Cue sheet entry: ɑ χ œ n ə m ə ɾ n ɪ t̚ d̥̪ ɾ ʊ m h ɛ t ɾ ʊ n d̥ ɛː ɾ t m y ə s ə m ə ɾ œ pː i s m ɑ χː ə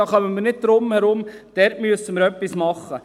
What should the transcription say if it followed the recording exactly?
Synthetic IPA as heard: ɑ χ œ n ə m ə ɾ n ɪ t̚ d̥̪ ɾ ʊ m h ɛ ɾ ʊ m d̥ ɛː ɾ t m y ə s ə m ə ɾ œ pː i s m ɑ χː ə